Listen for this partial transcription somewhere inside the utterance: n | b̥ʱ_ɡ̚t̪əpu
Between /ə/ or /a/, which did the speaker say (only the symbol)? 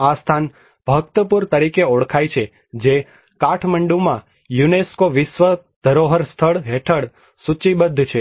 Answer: ə